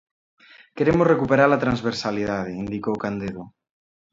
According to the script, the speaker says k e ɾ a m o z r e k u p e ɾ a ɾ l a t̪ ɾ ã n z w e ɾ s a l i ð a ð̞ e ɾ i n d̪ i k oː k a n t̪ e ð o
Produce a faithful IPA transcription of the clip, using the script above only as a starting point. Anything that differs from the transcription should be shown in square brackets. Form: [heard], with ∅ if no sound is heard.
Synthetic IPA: k e ɾ [e] m o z r e k u p e ɾ a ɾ l a t̪ ɾ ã n z [β] e ɾ s a l i ð a ð̞ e [∅] i n d̪ i k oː k a n [d̪] e ð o